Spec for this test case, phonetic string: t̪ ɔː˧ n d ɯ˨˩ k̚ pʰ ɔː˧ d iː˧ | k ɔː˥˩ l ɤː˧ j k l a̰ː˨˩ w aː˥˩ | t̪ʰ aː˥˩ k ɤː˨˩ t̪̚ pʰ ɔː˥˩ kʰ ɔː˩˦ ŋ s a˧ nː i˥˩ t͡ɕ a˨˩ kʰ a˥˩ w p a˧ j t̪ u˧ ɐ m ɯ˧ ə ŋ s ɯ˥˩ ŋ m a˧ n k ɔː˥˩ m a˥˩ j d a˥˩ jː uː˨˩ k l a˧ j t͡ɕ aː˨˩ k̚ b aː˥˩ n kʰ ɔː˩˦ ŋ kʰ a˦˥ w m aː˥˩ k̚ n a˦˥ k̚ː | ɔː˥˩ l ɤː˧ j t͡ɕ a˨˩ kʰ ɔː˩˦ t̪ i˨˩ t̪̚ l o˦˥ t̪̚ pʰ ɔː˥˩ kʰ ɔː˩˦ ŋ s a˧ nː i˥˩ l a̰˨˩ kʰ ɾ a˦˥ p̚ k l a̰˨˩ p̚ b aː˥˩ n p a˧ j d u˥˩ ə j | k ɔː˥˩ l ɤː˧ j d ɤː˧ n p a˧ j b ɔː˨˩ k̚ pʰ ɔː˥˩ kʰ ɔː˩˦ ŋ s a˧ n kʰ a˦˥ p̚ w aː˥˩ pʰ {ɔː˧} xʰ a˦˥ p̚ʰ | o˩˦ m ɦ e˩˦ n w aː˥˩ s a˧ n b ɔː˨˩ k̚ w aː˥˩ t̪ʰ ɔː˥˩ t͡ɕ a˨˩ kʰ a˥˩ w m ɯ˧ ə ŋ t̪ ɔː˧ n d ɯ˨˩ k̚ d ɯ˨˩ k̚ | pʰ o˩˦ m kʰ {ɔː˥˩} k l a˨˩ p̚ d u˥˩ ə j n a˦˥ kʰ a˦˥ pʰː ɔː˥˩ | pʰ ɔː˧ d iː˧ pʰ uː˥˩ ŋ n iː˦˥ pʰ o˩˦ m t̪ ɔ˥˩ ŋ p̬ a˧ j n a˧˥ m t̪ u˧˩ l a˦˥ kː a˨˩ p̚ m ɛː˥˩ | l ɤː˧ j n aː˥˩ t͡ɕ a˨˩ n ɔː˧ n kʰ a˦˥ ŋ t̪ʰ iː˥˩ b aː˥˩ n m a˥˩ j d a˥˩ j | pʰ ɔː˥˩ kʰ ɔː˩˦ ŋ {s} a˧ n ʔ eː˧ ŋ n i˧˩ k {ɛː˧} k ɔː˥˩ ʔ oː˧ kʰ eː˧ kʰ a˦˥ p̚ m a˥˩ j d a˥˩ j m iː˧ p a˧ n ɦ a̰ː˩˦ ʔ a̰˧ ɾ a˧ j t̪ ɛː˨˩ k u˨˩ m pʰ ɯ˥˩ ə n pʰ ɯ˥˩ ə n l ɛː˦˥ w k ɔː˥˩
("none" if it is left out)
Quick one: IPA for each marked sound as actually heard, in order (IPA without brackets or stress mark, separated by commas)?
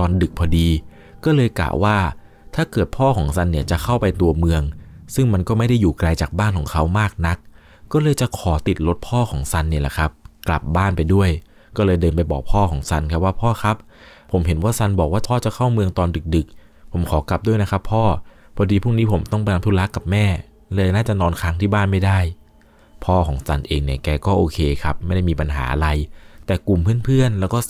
ɔː˥˩, ɔː˩˦, s, ɛː˧